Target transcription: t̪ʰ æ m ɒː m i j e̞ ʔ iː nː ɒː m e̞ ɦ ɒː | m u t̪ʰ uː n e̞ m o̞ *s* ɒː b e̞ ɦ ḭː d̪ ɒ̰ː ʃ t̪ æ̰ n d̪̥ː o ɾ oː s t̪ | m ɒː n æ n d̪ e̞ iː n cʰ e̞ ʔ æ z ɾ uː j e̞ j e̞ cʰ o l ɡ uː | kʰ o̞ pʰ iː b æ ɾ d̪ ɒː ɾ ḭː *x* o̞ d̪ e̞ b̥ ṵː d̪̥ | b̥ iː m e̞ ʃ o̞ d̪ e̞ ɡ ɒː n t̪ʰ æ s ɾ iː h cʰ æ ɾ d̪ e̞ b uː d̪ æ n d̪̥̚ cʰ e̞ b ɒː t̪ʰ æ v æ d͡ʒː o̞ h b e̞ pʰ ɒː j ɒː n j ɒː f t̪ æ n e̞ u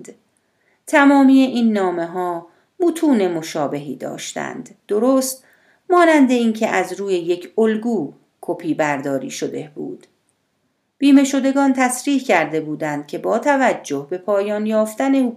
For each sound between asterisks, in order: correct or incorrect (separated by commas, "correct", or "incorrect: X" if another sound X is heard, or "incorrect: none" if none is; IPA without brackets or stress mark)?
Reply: incorrect: ʃ, incorrect: ʃ